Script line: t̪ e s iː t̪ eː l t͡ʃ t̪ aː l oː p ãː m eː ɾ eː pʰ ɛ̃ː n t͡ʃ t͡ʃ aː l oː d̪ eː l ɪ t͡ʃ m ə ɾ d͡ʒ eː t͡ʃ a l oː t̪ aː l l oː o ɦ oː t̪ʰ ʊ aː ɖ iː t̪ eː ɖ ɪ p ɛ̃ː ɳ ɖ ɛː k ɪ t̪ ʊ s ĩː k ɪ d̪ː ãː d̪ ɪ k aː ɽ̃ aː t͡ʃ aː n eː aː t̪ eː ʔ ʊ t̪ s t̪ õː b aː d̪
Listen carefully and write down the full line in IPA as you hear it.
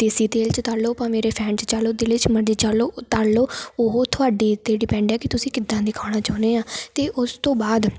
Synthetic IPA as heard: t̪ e s iː t̪ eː l t͡ʃ t̪ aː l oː p ãː m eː ɾ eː pʰ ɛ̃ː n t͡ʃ t͡ʃ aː l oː d̪ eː l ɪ t͡ʃ m ə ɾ d͡ʒ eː t͡ʃ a l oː t̪ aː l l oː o ɦ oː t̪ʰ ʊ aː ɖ iː t̪ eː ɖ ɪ p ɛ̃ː ɳ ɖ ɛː k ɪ t̪ ʊ s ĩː k ɪ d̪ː ãː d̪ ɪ kʰ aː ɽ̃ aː t͡ʃ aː n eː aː t̪ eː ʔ ʊ s t̪ õː b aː d̪

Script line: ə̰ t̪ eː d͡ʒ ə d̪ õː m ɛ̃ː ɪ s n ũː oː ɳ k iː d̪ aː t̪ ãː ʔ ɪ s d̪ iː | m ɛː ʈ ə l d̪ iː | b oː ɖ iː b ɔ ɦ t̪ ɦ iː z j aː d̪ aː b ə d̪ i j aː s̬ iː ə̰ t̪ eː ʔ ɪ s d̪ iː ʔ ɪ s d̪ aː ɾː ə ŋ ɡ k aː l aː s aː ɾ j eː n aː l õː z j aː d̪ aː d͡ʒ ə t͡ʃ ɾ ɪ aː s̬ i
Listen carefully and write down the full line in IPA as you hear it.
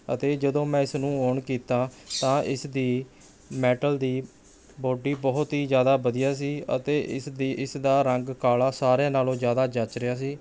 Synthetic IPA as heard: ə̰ t̪ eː d͡ʒ ə d̪ õː m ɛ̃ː ɪ s n ũː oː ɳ k iː t̪ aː t̪ ãː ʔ ɪ s d̪ iː | m ɛː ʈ ə l d̪ iː | b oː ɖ iː b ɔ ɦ t̪ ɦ iː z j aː d̪ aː b ə d̪ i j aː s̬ iː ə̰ t̪ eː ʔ ɪ s d̪ iː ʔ ɪ s d̪ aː ɾ ə ŋ ɡ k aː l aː s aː ɾ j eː n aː l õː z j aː d̪ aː d͡ʒ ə t͡ʃ ɾ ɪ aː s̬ iː

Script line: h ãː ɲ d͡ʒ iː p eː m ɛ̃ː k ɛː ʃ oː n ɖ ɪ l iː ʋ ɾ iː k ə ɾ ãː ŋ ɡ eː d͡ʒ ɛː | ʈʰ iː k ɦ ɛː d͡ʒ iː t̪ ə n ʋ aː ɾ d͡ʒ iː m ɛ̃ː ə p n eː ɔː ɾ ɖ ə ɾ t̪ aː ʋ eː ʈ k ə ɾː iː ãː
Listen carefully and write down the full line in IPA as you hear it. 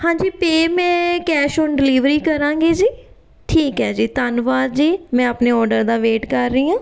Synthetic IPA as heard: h ãː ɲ d͡ʒ iː p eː m ɛ̃ː k ɛː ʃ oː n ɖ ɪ l iː ʋ ɾ iː k ə ɾ ãː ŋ ɡ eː d͡ʒ iː | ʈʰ iː k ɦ ɛː d͡ʒ iː t̪ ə n ʋ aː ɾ d͡ʒ iː m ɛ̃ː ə p n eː ɔː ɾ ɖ ə ɾ d̪ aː ʋ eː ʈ k ə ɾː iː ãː

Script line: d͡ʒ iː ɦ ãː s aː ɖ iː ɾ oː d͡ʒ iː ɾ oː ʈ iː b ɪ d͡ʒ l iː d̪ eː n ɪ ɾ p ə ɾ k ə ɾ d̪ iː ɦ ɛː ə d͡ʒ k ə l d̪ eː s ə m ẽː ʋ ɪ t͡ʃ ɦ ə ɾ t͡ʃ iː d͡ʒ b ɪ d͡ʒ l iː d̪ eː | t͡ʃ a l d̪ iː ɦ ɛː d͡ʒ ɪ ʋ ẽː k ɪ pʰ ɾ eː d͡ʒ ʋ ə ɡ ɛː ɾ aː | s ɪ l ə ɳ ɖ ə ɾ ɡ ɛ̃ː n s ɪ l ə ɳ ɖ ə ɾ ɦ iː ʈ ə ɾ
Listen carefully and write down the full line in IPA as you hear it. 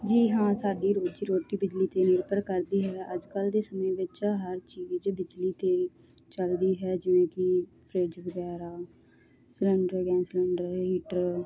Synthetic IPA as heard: d͡ʒ iː ɦ ãː s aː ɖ iː ɾ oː d͡ʒ iː ɾ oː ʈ iː b ɪ d͡ʒ l iː t̪ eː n ɪ ɾ p ə ɾ k ə ɾ d̪ iː ɦ ɛː ə d͡ʒ k ə l d̪ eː s ə m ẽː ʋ ɪ t͡ʃ ɦ ə ɾ t͡ʃ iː d͡ʒ b ɪ d͡ʒ l iː t̪ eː | t͡ʃ ə l d̪ iː ɦ ɛː d͡ʒ ɪ ʋ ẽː k ɪ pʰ ɾ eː d͡ʒ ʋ ə ɡ ɛː ɾ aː | s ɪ l ə ɳ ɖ ə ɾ ɡ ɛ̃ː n s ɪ l ə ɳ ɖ ə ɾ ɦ iː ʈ ə ɾ

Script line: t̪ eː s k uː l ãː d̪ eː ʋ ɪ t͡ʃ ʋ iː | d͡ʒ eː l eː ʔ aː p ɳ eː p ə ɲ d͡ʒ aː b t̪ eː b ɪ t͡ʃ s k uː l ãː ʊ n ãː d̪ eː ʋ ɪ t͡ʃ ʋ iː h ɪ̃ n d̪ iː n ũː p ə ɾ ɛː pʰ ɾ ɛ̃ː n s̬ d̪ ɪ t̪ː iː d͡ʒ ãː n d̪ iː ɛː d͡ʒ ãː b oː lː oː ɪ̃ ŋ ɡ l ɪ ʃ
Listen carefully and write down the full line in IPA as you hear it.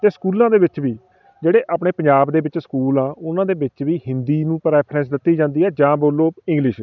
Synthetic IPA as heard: t̪ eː s k uː l ãː d̪ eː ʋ ɪ t͡ʃ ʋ iː | d͡ʒ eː ɽ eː ʔ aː p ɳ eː p ə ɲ d͡ʒ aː b d̪ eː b ɪ t͡ʃ s k uː l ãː ʊ n ãː d̪ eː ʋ ɪ t͡ʃ ʋ iː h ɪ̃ n d̪ iː n ũː p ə ɾ ɛː pʰ ɾ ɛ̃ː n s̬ d̪ ɪ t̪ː iː d͡ʒ ãː n d̪ iː ɛː d͡ʒ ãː b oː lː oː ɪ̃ ŋ ɡ l ɪ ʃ

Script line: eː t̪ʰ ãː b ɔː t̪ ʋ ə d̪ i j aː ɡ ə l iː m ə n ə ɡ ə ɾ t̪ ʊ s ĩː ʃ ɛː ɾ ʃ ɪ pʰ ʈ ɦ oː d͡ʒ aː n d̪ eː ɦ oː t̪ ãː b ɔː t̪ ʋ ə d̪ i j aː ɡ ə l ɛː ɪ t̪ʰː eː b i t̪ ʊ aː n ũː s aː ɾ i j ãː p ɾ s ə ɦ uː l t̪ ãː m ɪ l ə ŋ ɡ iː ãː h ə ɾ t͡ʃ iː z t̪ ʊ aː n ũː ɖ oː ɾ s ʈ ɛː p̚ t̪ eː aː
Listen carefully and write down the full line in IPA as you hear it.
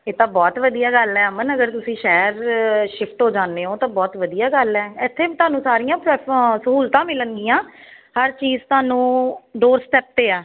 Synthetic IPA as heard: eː t̪ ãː b ɔː t̪ ʋ ə d̪ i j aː ɡ ə l ɛː m ə n ə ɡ ə ɾ t̪ ʊ s ĩː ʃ ɛː ɾ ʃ ɪ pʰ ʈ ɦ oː d͡ʒ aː n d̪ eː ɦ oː t̪ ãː b ɔː t̪ ʋ ə d̪ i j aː ɡ ə l ɛː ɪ t̪ʰː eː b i t̪ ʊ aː n ũː s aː ɾ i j ãː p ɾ s ə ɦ uː l t̪ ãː m ɪ l ə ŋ ɡ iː ãː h ə ɾ t͡ʃ iː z t̪ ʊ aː n ũː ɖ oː ɾ s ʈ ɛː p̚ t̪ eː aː

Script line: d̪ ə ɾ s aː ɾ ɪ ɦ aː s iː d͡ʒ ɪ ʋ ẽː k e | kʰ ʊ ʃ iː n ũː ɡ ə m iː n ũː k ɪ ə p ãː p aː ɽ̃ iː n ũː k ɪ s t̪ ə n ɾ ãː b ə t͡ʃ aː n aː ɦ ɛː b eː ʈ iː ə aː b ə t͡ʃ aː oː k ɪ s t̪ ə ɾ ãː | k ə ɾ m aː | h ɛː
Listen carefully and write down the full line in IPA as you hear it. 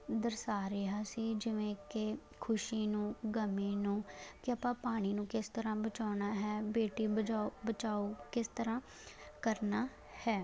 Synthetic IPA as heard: d̪ ə ɾ s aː ɾ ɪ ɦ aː s iː d͡ʒ ɪ ʋ ẽː k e | kʰ ʊ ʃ iː n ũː ɡ ə m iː n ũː k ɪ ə p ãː p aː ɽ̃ iː n ũː k ɪ s t̪ ə ɾ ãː b ə t͡ʃ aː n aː ɦ ɛː b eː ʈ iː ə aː b ə t͡ʃ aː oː k ɪ s t̪ ə ɾ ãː | k ə ɾ n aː | h ɛː

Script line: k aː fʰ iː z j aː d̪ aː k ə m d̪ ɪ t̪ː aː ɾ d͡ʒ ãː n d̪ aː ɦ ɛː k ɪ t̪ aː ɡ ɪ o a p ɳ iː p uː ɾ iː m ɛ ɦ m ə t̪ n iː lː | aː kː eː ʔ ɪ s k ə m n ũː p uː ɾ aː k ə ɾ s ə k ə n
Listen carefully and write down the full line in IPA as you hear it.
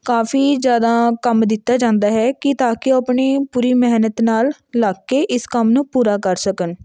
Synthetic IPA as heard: k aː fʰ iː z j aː d̪ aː k ə m d̪ ɪ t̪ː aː d͡ʒ ãː n d̪ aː ɦ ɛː k ɪ t̪ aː k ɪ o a p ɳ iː p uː ɾ iː m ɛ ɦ n ə t̪ n aː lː | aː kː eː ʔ ɪ s k ə m n ũː p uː ɾ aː k ə ɾ s ə k ə n

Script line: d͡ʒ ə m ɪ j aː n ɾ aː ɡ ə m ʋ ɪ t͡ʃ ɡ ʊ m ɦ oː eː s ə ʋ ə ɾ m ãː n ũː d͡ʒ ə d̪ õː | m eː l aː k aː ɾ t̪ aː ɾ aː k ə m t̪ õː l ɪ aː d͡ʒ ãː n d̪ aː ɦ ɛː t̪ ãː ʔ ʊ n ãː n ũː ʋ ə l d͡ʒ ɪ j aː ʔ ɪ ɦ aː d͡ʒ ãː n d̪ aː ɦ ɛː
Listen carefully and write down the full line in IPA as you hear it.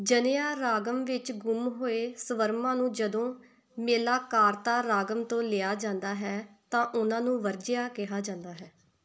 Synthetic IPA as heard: d͡ʒ ə n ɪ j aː ɾ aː ɡ ə m ʋ ɪ t͡ʃ ɡ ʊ m ɦ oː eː s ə ʋ ə ɾ m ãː n ũː d͡ʒ ə d̪ õː | m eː l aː k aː ɾ t̪ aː ɾ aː ɡ ə m t̪ õː l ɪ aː d͡ʒ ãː n d̪ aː ɦ ɛː t̪ ãː ʔ ʊ n ãː n ũː ʋ ə ɾ d͡ʒ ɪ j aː k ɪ ɦ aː d͡ʒ ãː n d̪ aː ɦ ɛː

